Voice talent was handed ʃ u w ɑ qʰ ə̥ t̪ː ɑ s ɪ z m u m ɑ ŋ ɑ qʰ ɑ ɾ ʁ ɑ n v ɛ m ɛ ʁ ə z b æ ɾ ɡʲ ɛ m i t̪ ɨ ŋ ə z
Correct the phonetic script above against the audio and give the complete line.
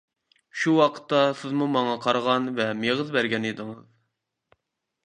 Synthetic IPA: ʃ u w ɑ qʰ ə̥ t̪ː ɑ s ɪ z m u m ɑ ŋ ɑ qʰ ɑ ɾ ʁ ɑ n v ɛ m e ʁ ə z b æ ɾ ɡʲ ɛ n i d̪ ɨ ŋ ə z